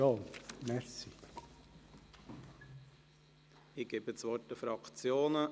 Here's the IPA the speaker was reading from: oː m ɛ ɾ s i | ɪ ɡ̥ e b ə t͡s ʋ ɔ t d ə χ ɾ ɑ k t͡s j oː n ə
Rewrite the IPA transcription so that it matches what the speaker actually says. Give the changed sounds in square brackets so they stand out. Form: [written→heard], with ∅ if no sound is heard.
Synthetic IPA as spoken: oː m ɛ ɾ s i | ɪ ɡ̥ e b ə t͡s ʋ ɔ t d ə [χ→f] ɾ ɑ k t͡s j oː n ə